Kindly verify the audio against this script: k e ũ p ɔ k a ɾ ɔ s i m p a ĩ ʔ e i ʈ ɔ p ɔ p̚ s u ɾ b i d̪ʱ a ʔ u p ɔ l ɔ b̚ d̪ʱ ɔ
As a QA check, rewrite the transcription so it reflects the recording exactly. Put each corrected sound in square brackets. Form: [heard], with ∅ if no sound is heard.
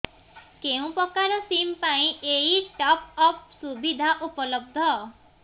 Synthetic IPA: k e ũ p ɔ k a ɾ ɔ s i m p a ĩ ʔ e i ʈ ɔ p ɔ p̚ s u [∅] b i d̪ʱ a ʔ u p ɔ l ɔ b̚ d̪ʱ ɔ